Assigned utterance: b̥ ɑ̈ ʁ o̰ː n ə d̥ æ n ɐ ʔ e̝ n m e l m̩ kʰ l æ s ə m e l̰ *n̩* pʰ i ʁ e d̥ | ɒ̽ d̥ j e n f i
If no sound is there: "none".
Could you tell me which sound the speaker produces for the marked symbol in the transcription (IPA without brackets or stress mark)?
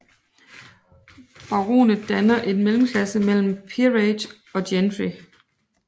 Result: m̩